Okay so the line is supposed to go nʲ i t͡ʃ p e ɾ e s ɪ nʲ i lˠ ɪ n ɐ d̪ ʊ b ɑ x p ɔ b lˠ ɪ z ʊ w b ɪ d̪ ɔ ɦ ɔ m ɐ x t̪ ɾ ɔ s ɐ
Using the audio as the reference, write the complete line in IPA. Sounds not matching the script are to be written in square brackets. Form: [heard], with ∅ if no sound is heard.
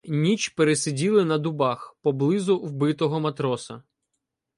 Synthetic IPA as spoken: nʲ i t͡ʃ p e ɾ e s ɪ [dʲ] i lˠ ɪ n ɐ d̪ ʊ b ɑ x p ɔ b lˠ ɪ z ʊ w b ɪ [t̪] ɔ ɦ ɔ m ɐ [∅] t̪ ɾ ɔ s ɐ